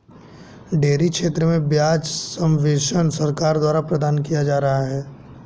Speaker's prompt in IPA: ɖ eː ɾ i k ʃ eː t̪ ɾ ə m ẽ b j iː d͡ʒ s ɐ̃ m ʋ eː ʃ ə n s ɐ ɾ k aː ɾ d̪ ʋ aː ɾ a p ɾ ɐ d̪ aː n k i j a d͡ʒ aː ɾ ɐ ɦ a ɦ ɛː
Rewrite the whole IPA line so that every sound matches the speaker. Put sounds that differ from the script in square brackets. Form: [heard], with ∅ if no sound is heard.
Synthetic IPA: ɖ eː ɾ i k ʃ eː t̪ ɾ ə m ẽ b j [aː] d͡ʒ s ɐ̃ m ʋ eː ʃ ə n s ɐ ɾ k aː ɾ d̪ [w] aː ɾ a p ɾ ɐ d̪ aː n k i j a d͡ʒ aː ɾ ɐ ɦ a ɦ ɛː